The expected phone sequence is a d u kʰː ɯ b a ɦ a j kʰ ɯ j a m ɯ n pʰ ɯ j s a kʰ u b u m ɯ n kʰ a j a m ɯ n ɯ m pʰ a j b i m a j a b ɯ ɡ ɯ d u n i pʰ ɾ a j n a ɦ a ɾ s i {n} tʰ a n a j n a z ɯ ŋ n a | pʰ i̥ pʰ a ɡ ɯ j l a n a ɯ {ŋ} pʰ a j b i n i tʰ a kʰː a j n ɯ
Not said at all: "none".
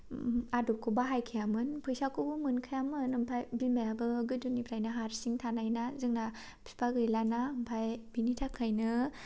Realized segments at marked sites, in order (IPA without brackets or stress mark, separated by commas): ŋ, m